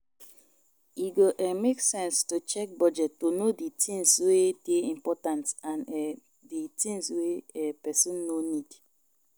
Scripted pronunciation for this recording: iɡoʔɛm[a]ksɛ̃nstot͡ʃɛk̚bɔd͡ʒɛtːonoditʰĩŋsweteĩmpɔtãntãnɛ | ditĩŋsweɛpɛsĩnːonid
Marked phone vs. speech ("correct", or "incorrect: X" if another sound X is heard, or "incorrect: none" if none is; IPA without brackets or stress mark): incorrect: e